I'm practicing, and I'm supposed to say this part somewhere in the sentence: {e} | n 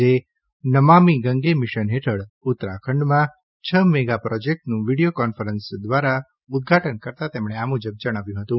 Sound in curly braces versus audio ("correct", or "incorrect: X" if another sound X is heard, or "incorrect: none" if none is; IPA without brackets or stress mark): correct